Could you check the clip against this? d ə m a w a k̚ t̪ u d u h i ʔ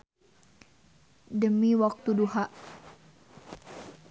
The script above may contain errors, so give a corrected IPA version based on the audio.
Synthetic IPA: d ə m i w a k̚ t̪ u d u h a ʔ